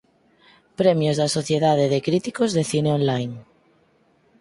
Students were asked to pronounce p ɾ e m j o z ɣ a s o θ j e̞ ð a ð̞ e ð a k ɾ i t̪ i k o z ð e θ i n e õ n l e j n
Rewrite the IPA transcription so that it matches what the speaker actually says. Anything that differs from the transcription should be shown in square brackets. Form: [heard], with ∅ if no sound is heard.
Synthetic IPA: p ɾ e m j o z [ð] a s o θ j e̞ ð a ð̞ e ð [e] k ɾ i t̪ i k o z ð e θ i n e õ n l [a] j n